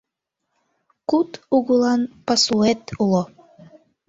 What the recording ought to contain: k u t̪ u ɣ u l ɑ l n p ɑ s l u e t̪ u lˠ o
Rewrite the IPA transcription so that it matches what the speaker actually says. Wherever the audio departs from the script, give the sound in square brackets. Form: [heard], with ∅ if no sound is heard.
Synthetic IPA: k u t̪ u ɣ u l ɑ [∅] n p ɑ s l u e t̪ u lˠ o